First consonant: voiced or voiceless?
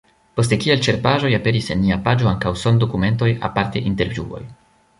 voiceless